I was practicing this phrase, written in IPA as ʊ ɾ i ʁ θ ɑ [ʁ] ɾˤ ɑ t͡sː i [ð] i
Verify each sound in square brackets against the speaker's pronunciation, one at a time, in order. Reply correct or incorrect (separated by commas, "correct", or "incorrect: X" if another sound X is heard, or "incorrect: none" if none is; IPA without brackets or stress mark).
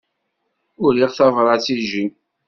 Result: incorrect: v, incorrect: ʒ